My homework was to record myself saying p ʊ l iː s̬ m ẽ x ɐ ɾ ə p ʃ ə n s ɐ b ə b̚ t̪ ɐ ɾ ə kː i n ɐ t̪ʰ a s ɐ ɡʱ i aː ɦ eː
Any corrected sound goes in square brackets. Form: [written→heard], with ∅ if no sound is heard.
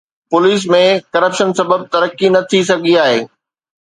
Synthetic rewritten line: p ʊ l iː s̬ m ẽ [x→k] ɐ ɾ ə p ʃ ə n s ɐ b ə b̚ t̪ ɐ ɾ ə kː i n ɐ t̪ʰ [a→i] s ɐ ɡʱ i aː ɦ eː